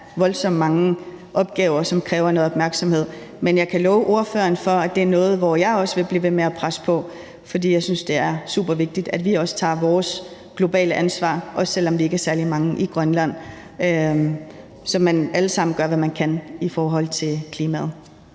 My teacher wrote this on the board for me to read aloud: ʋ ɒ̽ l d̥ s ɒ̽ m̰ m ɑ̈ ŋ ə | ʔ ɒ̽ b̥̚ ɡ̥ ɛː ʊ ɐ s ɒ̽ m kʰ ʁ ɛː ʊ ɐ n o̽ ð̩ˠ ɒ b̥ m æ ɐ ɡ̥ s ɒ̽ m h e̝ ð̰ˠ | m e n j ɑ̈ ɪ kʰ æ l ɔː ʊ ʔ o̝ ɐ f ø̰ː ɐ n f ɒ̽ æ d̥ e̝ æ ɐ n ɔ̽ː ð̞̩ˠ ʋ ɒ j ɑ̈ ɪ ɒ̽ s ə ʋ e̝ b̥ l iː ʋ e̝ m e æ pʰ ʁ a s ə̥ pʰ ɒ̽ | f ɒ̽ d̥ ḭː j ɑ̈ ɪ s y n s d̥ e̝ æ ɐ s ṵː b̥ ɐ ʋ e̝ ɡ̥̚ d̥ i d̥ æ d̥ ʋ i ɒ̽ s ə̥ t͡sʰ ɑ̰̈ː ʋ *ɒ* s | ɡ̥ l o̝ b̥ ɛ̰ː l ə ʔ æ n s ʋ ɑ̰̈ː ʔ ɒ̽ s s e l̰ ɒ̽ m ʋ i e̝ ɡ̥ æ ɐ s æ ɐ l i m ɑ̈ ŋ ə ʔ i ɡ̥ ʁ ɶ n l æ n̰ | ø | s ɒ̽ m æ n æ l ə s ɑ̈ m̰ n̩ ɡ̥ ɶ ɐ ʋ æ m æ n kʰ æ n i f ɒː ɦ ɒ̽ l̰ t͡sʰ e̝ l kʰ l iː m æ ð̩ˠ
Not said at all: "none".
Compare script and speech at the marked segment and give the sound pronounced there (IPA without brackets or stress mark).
ɒː